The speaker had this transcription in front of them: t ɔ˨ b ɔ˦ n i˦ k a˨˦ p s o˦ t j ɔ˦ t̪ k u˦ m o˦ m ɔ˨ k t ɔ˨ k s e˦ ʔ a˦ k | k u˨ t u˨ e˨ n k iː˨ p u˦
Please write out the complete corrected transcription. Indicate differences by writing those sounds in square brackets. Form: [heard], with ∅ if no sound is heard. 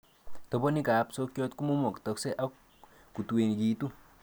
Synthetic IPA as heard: t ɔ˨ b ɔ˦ n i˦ k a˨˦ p s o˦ [k] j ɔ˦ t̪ k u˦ m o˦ m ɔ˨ k t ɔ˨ k s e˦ ʔ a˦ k | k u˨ t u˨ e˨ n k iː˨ [t] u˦